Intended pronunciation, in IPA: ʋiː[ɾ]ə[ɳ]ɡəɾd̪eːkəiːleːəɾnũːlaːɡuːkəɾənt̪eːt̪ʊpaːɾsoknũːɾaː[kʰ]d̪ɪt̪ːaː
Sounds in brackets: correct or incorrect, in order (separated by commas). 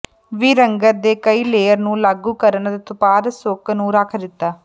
correct, incorrect, correct